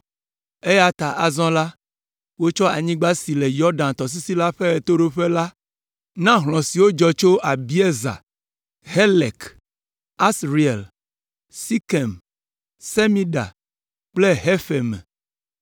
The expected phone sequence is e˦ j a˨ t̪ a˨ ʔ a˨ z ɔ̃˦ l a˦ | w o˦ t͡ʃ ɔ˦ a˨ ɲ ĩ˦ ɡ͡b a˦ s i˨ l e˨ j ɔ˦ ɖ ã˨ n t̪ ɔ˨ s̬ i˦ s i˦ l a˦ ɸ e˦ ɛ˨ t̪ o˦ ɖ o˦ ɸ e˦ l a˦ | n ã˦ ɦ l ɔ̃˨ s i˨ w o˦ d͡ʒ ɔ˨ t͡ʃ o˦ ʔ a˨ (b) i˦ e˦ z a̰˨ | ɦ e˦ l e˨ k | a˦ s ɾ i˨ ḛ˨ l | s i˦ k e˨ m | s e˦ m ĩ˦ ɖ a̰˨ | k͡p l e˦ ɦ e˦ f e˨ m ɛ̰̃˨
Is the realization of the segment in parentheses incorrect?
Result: no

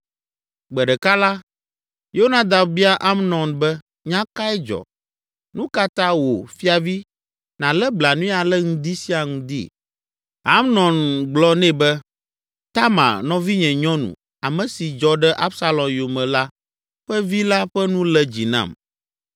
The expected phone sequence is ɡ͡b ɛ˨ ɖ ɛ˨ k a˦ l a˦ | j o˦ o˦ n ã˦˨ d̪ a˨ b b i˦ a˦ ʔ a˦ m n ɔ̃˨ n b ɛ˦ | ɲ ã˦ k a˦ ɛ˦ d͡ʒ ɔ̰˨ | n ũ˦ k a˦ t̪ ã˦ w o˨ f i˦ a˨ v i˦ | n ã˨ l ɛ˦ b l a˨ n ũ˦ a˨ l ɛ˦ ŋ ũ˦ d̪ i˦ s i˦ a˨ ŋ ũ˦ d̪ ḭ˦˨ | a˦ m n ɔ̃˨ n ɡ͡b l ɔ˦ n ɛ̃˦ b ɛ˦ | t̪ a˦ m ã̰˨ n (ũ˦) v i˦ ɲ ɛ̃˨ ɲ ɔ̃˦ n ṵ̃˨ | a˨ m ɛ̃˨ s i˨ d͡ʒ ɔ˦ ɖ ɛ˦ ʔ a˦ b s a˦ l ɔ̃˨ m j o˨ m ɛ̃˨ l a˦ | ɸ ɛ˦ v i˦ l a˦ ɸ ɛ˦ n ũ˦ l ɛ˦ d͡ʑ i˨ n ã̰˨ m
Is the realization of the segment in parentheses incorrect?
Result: yes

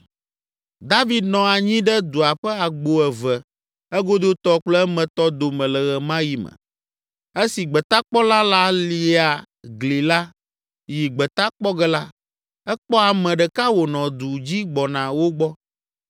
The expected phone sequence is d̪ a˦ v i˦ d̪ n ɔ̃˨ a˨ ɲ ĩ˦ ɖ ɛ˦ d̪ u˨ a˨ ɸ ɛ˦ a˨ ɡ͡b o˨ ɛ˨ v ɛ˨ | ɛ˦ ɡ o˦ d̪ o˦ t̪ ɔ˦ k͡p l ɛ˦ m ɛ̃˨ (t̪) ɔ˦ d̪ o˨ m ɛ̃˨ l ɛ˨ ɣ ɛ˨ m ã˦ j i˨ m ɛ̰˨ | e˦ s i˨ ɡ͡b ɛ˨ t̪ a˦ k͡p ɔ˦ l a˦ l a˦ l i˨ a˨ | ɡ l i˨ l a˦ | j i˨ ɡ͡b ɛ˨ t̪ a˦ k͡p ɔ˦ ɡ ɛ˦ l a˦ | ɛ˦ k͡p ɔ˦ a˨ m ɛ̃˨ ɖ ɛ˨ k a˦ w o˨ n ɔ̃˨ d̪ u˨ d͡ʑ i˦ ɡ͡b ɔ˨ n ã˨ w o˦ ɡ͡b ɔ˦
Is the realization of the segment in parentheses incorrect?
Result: no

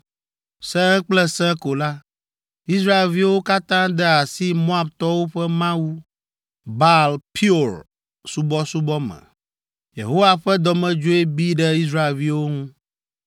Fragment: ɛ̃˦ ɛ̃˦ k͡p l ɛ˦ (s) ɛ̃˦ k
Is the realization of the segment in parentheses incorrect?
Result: no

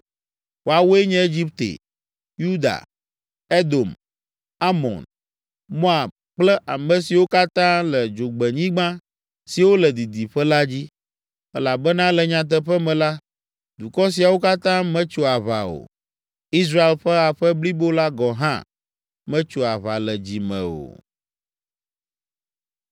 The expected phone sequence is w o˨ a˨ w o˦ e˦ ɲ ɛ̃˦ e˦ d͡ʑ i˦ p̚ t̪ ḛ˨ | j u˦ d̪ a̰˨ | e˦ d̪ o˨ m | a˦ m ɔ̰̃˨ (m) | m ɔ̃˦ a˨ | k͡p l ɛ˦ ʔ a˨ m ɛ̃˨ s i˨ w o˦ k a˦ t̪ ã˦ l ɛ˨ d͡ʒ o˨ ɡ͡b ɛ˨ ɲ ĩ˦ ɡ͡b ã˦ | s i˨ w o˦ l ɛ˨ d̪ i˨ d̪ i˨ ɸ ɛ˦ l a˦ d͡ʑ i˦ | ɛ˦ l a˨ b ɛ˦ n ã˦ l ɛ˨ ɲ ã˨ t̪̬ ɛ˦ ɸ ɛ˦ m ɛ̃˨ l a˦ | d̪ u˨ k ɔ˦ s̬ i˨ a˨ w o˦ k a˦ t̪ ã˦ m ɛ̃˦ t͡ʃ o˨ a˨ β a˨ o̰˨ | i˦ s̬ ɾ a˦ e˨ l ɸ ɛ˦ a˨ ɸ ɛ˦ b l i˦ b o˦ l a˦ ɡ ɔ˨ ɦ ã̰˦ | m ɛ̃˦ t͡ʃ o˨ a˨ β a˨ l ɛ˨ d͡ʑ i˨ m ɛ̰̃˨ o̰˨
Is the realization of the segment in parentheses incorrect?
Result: yes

